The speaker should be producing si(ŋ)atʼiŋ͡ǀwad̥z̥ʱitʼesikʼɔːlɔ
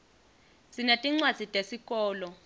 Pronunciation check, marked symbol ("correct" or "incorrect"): incorrect